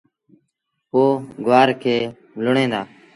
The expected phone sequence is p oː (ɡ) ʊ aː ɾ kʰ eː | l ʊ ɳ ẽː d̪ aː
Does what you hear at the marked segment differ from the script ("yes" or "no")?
no